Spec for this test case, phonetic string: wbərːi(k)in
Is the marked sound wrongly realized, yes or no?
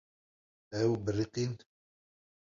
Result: yes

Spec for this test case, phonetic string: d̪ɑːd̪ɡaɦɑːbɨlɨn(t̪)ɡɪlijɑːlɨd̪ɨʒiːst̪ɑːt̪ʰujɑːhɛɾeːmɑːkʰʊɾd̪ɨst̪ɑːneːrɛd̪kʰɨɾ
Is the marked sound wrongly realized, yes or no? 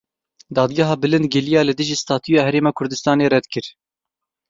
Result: yes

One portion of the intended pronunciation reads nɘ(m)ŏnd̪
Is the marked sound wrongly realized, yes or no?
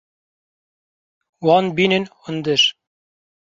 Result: yes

